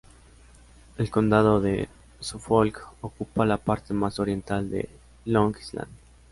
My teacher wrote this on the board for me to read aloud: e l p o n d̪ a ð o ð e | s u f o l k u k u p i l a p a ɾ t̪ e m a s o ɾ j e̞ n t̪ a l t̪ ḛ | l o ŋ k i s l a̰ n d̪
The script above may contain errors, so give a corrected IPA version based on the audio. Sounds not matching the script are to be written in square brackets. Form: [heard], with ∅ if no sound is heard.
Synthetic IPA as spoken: e l [k] o n d̪ a ð o ð e | s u f o l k [o] k u p [a] l a p a ɾ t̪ e m a s o ɾ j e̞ n t̪ a l [d̪] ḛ | l o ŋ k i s l a̰ n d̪